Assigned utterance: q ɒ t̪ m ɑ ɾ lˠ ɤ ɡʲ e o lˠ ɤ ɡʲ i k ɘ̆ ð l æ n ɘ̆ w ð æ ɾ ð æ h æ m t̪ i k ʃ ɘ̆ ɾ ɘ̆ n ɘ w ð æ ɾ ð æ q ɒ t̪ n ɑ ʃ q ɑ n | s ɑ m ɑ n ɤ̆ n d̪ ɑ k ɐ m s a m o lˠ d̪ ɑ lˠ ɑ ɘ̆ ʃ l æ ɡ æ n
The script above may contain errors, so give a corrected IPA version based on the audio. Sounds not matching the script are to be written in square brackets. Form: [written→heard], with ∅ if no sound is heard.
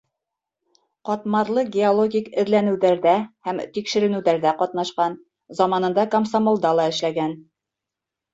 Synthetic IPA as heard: q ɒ t̪ m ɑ ɾ lˠ ɤ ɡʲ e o lˠ [ɤ→o] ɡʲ i k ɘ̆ ð l æ n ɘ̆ w ð æ ɾ ð æ h æ m t̪ i k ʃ ɘ̆ ɾ ɘ̆ n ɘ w ð æ ɾ ð æ q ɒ t̪ n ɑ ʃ q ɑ n | [s→z] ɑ m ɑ n ɤ̆ n d̪ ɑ k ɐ m s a m o lˠ d̪ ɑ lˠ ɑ ɘ̆ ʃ l æ ɡ æ n